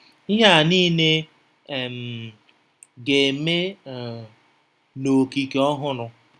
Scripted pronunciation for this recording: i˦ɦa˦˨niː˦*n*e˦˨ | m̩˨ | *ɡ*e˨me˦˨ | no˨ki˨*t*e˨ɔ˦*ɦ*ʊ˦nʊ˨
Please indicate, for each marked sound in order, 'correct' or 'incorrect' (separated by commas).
correct, correct, incorrect, correct